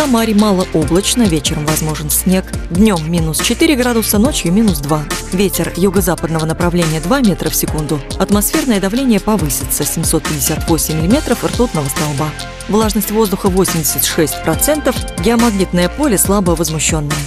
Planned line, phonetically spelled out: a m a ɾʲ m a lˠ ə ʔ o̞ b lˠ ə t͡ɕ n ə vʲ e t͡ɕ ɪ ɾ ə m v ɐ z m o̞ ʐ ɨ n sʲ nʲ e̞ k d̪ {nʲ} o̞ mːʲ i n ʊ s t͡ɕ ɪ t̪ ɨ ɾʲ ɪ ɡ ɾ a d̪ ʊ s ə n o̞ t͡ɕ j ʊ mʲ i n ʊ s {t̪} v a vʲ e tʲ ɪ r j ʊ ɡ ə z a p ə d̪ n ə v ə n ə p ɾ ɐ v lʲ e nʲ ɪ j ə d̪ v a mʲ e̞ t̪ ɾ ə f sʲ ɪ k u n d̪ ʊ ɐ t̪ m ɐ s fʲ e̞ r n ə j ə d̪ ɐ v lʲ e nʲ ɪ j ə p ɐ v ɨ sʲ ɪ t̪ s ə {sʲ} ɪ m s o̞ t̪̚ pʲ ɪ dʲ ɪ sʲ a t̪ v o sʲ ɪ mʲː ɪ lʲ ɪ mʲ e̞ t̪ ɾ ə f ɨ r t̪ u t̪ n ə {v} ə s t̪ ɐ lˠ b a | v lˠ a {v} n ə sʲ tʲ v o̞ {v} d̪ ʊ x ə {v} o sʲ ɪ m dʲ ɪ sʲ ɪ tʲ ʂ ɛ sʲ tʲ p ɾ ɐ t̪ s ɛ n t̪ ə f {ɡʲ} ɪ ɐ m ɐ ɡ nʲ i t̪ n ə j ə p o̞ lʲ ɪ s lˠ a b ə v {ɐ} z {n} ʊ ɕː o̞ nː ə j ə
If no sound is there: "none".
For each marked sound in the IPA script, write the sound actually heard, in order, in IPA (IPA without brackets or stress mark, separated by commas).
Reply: nʲ, d̪, sʲ, v, ʐ, z, v, ɡʲ, ə, m